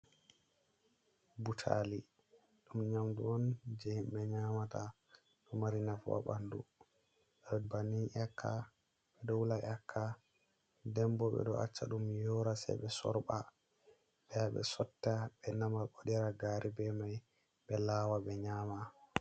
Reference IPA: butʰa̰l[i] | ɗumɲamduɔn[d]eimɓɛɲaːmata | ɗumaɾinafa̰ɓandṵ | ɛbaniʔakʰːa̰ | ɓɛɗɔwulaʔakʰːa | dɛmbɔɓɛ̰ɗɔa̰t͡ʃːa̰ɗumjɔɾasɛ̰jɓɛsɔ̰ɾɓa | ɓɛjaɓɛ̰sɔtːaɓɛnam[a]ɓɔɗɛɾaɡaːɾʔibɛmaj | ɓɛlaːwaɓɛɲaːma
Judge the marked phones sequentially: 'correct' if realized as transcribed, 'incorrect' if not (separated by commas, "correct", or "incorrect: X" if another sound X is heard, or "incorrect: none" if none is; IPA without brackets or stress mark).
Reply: correct, incorrect: d͡ʒ, correct